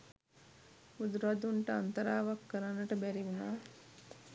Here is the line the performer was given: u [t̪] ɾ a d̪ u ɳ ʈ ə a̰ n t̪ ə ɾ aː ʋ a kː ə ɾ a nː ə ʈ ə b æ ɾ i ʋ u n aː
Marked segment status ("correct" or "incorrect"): incorrect